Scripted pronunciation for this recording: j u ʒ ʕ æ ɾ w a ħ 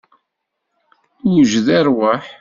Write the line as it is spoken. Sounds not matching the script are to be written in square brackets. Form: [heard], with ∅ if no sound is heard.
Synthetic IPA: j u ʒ [ð] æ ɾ w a ħ